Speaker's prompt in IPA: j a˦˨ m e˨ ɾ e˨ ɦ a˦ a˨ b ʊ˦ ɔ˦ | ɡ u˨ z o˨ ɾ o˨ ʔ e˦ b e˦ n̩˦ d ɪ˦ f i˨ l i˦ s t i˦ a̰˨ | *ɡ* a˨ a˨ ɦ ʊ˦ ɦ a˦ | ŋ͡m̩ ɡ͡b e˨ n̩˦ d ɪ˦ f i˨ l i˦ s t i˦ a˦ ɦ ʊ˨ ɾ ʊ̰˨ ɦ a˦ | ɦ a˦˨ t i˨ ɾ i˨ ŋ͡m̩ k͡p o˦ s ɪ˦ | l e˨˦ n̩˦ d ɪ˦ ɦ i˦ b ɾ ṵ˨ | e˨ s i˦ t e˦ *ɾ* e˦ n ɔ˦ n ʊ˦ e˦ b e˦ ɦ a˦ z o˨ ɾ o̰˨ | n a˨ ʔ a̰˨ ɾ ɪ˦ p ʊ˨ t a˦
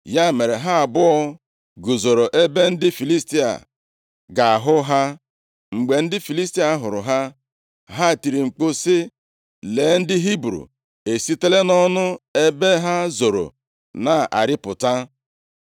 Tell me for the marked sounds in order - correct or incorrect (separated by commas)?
correct, incorrect